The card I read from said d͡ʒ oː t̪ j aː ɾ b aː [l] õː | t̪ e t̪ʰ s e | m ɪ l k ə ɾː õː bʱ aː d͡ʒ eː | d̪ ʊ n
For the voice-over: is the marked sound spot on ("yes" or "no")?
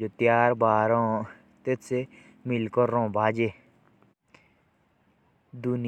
no